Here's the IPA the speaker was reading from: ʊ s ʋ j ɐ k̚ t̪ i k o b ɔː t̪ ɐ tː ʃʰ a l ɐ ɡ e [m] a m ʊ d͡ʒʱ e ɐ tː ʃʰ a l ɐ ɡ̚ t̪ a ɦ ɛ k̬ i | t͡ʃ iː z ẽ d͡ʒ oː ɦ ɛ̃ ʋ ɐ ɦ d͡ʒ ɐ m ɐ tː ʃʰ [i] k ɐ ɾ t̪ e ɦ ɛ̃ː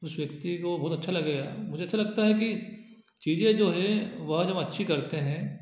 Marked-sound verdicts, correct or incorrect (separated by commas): incorrect, correct